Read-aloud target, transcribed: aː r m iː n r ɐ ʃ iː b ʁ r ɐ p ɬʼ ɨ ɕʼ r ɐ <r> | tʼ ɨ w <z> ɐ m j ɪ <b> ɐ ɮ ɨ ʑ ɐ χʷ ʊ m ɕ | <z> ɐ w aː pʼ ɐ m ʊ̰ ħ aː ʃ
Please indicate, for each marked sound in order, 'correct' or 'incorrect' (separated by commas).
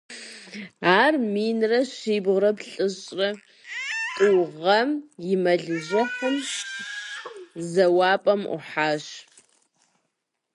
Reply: incorrect, incorrect, incorrect, correct